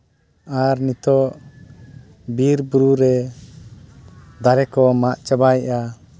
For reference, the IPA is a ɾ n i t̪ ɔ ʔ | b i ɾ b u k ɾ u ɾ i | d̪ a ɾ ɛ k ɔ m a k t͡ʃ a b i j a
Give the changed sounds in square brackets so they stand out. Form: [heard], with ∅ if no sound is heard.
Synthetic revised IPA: a ɾ n i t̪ ɔ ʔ | b i ɾ b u [∅] ɾ u ɾ [ɛ] | d̪ a ɾ ɛ k ɔ m a [ʔ] t͡ʃ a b [a] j a